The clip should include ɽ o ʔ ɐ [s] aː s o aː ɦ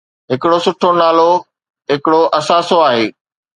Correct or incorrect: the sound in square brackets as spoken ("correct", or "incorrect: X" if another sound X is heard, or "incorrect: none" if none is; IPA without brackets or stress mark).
correct